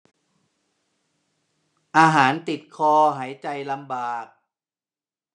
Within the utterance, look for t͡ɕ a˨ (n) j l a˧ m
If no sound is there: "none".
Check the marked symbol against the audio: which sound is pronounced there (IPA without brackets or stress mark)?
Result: none